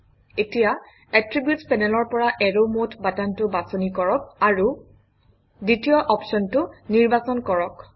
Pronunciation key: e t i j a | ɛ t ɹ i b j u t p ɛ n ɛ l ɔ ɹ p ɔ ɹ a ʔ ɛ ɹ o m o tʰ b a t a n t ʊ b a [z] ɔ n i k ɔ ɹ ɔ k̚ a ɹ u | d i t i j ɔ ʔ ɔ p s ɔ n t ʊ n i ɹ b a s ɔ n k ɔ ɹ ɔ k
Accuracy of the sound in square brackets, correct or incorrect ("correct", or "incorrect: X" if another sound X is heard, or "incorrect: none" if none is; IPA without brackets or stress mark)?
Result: incorrect: s